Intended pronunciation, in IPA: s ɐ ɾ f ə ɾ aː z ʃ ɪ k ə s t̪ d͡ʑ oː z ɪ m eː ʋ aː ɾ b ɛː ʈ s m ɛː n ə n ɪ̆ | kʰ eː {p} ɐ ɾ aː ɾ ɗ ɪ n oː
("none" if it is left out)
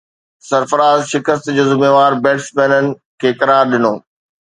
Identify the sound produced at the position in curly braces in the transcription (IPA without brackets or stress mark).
k